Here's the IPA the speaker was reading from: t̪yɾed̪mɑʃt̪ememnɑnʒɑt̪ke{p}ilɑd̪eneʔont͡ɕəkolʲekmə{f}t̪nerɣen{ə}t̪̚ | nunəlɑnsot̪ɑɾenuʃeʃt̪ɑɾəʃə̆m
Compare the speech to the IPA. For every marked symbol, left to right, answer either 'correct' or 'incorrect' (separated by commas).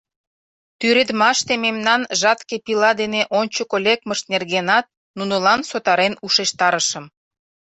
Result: correct, incorrect, incorrect